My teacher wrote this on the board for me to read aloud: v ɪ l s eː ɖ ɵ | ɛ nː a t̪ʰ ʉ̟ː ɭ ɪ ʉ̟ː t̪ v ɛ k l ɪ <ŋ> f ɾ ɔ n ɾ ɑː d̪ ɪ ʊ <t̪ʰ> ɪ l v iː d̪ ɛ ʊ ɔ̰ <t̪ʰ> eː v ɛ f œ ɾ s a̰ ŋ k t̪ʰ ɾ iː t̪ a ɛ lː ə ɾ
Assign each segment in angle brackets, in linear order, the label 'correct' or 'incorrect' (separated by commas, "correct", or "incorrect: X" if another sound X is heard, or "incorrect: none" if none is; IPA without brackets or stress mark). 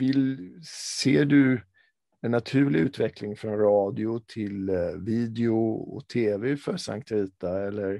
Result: correct, correct, correct